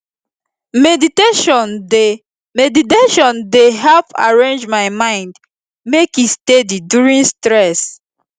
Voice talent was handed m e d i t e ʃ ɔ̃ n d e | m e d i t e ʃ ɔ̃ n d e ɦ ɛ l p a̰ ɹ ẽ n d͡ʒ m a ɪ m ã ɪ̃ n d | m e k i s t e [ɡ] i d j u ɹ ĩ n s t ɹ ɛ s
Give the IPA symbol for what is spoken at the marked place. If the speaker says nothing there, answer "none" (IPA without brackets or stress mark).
d